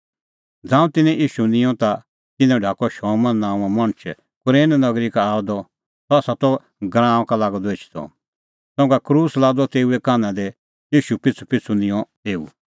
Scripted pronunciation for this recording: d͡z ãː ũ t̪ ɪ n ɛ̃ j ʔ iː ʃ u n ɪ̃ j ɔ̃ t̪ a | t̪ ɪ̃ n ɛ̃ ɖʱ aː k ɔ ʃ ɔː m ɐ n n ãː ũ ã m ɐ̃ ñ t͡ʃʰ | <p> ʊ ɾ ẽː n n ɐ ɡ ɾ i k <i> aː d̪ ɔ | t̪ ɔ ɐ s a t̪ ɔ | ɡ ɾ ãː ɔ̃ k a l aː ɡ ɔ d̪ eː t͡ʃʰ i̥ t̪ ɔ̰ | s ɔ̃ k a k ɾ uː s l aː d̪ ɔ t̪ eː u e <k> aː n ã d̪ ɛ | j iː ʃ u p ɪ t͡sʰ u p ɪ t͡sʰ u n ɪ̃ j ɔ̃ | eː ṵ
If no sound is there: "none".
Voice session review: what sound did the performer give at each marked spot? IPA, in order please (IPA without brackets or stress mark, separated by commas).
k, a, k